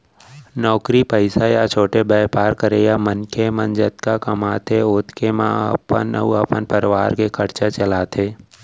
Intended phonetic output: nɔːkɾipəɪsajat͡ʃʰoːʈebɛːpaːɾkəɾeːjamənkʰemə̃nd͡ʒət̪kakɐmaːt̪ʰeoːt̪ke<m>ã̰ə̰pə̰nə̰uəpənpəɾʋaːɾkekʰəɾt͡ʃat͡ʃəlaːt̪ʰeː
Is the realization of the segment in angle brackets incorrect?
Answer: no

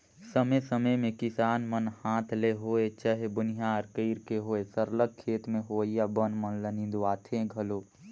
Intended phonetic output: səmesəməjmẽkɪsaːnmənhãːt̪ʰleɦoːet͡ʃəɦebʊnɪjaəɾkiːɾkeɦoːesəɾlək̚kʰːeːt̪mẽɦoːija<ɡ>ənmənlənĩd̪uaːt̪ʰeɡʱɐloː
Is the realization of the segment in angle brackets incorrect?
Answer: yes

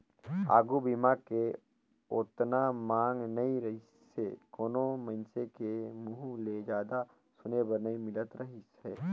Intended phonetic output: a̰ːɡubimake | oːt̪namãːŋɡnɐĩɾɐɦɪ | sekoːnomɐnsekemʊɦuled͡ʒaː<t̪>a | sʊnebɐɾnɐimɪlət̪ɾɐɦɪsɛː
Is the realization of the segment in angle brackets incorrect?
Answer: yes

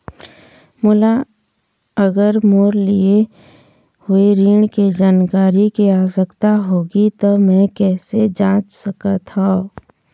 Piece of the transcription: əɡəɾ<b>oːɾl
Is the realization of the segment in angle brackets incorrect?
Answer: yes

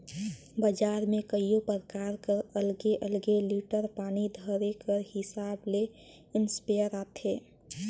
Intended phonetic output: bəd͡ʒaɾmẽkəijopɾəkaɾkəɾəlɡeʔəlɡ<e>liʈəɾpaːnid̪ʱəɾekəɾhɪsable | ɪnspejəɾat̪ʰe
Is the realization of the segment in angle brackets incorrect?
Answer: no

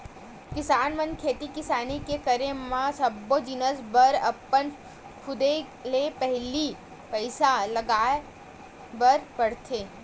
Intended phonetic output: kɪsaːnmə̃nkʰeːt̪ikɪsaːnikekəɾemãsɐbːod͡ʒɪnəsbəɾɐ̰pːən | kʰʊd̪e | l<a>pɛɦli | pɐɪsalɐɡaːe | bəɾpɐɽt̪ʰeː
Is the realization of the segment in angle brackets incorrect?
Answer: yes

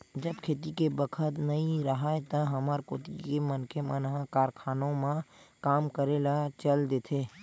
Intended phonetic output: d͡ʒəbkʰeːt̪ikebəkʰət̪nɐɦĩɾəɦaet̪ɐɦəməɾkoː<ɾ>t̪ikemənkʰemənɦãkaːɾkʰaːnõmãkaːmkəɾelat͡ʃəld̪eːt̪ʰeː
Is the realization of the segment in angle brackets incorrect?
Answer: yes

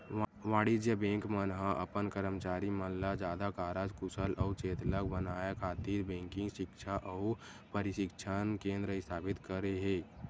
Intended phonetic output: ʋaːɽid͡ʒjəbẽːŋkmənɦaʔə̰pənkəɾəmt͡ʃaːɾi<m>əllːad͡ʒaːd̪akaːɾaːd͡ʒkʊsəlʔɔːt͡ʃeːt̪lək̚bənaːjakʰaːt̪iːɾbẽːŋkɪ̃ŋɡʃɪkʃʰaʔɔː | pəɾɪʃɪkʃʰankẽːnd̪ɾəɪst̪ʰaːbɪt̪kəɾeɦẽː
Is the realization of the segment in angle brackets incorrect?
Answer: no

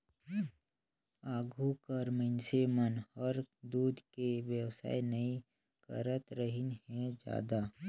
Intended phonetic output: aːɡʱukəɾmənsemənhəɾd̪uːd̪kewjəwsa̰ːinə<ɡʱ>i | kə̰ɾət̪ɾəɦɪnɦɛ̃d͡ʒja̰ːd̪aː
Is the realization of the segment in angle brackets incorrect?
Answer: yes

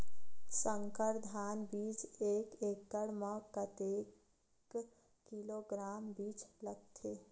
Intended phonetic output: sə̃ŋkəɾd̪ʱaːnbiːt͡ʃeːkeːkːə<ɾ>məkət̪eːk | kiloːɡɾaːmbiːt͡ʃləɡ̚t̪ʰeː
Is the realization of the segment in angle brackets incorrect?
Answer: yes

